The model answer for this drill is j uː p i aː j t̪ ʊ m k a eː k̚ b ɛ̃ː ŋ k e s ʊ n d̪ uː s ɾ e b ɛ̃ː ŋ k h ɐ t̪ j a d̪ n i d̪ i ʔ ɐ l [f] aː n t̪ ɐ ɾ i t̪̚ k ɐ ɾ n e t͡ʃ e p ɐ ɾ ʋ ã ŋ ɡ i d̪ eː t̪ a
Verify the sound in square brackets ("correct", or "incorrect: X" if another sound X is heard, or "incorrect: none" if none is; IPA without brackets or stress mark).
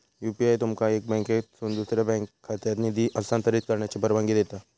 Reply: incorrect: s